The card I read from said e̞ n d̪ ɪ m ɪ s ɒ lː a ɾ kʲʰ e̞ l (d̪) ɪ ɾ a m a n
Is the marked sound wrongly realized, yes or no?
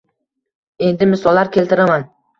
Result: yes